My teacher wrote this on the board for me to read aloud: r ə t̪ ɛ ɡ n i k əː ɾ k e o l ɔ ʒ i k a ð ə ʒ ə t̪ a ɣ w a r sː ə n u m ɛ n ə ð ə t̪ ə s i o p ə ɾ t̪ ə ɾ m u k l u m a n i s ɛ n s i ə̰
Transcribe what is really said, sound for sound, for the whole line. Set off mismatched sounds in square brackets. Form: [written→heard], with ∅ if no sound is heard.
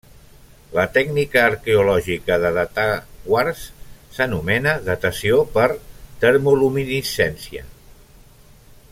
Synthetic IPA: [r→l] ə t̪ ɛ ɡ n i k əː ɾ k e [o→u] l ɔ ʒ i k [a→ə] ð ə [ʒ→ð] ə t̪ a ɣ w a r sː ə n u m ɛ n ə ð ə t̪ ə s i o p ə ɾ t̪ ə ɾ m u [k→∅] l u m [a→i] n i s ɛ n s i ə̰

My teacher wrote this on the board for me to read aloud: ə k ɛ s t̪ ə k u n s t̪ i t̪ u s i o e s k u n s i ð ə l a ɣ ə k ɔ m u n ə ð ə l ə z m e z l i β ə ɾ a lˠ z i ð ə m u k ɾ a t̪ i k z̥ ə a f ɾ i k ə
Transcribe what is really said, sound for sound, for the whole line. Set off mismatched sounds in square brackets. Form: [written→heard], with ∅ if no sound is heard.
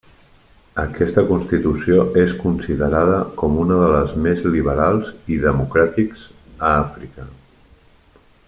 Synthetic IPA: ə k ɛ s t̪ ə k u n s t̪ i t̪ u s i o e s k u n s i ð ə [l→ɾ] a [ɣ→ð] ə k ɔ m u n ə ð ə l ə z m e z l i β ə ɾ a lˠ z i ð ə m u k ɾ a t̪ i k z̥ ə a f ɾ i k ə

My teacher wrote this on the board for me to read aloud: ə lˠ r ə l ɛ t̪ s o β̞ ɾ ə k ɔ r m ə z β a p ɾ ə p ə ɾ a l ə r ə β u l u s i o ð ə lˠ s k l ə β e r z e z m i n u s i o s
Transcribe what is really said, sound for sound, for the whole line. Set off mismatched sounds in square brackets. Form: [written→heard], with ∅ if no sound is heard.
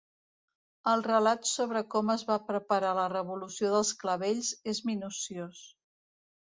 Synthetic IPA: ə lˠ r ə l [ɛ→a] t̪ s o β̞ ɾ ə k ɔ [r→∅] m ə z β a p ɾ ə p ə ɾ a l ə r ə β u l u s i o ð ə lˠ s k l ə β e [r→ʎ] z e z m i n u s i o s

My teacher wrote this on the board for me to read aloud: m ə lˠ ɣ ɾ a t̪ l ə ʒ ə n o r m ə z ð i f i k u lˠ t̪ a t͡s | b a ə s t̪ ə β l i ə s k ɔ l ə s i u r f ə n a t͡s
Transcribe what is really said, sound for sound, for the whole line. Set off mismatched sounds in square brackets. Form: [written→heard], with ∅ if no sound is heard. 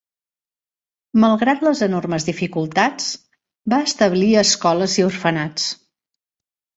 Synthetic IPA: m ə lˠ ɣ ɾ a t̪ l ə [ʒ→z] ə n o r m ə z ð i f i k u lˠ t̪ a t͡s | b a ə s t̪ ə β l i ə s k ɔ l ə [s→z] i u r f ə n a t͡s

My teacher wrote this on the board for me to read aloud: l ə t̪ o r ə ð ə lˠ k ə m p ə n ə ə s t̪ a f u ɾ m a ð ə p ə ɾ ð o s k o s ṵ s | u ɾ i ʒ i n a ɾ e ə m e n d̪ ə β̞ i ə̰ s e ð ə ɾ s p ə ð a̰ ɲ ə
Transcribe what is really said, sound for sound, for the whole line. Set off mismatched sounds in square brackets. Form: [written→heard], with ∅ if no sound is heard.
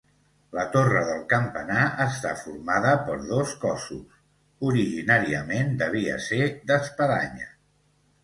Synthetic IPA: l ə t̪ o r ə ð ə lˠ k ə m p ə n [ə→a] ə s t̪ a f u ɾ m a ð ə p ə ɾ ð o s k [o→ɔ] s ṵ s | u ɾ i ʒ i n a ɾ [e→i] ə m e n d̪ ə β̞ i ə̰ s e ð ə [ɾ→∅] s p ə ð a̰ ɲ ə

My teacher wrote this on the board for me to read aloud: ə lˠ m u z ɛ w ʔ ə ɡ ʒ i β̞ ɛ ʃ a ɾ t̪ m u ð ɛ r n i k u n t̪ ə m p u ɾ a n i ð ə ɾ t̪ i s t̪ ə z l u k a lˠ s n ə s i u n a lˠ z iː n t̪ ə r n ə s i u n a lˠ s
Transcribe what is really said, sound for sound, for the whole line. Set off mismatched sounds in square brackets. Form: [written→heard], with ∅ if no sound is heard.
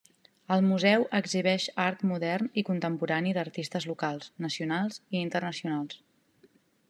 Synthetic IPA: ə lˠ m u z ɛ w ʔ ə ɡ [ʒ→z] i β̞ ɛ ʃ a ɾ t̪ m u ð ɛ r n i k u n t̪ ə m p u ɾ a n i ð ə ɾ t̪ i s t̪ ə z l u k a lˠ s n ə s i u n a lˠ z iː n t̪ ə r n ə s i u n a lˠ s

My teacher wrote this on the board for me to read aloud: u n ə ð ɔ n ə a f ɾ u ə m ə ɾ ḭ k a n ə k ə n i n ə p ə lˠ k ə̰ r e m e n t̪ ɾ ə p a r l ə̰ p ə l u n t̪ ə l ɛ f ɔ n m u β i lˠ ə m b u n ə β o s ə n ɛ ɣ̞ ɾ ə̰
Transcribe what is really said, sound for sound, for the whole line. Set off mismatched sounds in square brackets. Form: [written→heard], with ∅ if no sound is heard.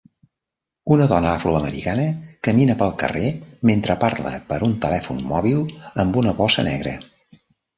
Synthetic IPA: u n ə ð ɔ n ə a f ɾ u ə m ə ɾ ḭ k a n ə k ə [n→m] i n ə p ə lˠ k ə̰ r e m e n t̪ ɾ ə p a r l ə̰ p ə [l→ɾ] u n t̪ ə l ɛ f [ɔ→u] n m [u→ɔ] β i lˠ ə m b u n ə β [o→ɔ] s ə n ɛ ɣ̞ ɾ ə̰

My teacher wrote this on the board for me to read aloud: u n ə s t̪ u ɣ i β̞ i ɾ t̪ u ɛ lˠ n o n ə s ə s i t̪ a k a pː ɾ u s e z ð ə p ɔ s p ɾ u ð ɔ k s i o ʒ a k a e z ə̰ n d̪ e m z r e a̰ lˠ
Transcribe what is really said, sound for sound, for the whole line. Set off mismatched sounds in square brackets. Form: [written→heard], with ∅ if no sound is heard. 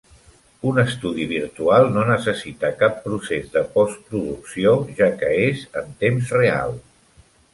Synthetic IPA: u n ə s t̪ u [ɣ→ð] i β̞ i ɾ t̪ u [ɛ→a] lˠ n o n ə s ə s i t̪ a k a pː ɾ u s e z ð ə p ɔ s p ɾ u ð [ɔ→u] k s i o ʒ a k [a→ə] e z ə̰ n [d̪→t̪] e m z r e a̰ lˠ

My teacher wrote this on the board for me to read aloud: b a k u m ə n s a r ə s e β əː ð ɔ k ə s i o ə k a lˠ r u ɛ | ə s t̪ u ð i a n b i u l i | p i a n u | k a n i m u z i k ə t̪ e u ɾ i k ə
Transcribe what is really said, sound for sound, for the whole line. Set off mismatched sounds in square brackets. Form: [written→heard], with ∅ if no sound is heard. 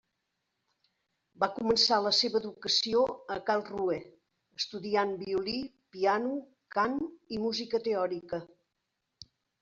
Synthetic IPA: b a k u m ə n s a [r→l] ə s e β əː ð [ɔ→u] k ə s i o ə k a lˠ r u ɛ | ə s t̪ u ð i a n b i u l i | p i a n u | k a n i m u z i k ə t̪ e [u→ɔ] ɾ i k ə

